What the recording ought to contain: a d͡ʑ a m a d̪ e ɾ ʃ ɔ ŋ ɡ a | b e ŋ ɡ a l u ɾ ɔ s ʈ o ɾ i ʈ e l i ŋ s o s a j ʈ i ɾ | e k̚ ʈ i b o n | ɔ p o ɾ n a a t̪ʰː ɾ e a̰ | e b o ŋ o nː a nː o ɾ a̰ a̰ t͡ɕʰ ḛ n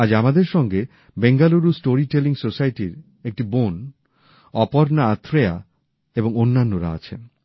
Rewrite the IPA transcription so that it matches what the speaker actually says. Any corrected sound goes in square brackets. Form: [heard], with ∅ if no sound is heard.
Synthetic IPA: a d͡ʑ a m a d̪ e ɾ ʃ ɔ ŋ ɡ [e] | b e ŋ ɡ a l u ɾ [u] s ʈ o ɾ i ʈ e l i ŋ s o s a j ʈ i ɾ | e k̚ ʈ i b o n | ɔ p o ɾ n a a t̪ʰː ɾ e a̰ | e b o ŋ o nː a nː o ɾ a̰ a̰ t͡ɕʰ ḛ n